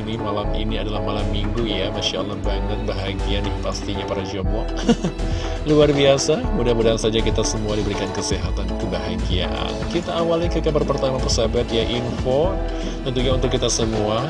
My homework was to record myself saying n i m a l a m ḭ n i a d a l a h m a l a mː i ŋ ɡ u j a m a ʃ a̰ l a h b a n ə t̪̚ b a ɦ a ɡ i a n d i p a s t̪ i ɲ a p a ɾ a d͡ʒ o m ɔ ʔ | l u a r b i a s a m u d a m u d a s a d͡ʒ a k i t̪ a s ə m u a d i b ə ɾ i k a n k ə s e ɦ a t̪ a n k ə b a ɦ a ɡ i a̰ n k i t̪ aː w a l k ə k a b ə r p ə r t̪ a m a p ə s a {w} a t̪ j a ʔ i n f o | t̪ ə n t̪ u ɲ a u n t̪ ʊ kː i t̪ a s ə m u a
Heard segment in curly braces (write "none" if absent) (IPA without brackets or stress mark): b